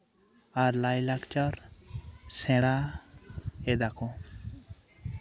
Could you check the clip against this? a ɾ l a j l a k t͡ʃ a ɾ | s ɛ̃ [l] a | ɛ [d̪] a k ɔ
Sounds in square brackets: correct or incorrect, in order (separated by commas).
incorrect, correct